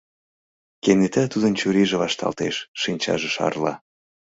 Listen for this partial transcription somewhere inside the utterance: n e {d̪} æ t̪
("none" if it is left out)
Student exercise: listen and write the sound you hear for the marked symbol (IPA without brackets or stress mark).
t̪